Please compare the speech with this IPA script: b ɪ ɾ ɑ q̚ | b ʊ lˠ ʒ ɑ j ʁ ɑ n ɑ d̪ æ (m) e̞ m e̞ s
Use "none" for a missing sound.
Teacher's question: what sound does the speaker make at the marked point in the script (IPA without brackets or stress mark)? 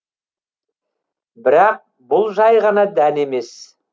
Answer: n